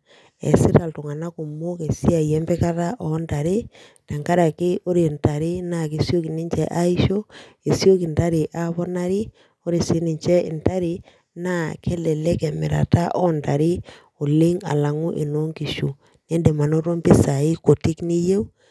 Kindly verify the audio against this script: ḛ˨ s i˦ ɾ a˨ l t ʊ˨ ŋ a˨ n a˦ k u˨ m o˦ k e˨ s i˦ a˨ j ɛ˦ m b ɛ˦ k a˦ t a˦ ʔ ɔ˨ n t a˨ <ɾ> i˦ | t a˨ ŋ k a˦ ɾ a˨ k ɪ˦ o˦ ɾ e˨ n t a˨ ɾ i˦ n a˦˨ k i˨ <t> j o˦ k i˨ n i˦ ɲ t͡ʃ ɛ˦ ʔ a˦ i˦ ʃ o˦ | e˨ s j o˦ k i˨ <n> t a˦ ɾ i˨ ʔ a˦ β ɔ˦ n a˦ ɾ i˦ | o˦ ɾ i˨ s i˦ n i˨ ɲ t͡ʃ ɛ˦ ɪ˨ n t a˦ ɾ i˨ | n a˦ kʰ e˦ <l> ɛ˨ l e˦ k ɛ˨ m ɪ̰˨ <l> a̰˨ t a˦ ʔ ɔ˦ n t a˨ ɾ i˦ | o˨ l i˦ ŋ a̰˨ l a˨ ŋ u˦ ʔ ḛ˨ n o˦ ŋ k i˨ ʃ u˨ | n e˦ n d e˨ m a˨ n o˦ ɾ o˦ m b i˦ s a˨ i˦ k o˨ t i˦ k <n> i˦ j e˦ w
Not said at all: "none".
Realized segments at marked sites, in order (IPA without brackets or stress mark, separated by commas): ɾ, s, n, l, ɾ, n